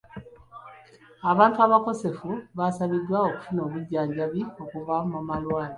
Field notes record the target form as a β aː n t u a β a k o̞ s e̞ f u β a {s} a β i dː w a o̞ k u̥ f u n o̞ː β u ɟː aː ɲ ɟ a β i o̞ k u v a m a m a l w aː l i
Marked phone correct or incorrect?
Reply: correct